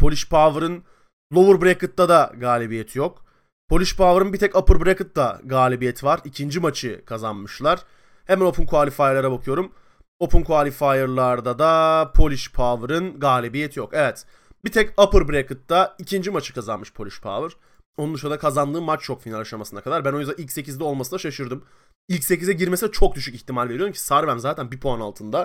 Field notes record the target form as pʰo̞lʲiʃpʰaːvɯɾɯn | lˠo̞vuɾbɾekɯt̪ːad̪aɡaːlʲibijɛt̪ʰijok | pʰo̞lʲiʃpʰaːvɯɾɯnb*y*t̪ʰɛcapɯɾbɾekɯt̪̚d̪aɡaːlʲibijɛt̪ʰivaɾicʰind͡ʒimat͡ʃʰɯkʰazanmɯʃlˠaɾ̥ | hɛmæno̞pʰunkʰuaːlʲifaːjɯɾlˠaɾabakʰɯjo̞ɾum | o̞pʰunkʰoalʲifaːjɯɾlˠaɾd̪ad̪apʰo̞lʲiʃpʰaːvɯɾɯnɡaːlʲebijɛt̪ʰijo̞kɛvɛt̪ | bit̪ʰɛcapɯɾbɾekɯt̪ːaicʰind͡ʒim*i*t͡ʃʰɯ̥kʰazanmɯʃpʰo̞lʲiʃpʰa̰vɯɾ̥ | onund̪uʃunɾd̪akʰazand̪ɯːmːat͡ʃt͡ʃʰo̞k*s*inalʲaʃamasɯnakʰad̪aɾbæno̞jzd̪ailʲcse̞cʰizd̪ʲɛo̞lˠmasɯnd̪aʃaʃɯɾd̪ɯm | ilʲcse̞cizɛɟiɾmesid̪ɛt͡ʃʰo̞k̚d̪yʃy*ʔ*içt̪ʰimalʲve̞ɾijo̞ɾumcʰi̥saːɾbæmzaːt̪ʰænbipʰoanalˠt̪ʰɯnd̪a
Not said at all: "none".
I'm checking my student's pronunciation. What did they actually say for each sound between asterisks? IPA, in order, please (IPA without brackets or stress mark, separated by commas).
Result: i, a, f, c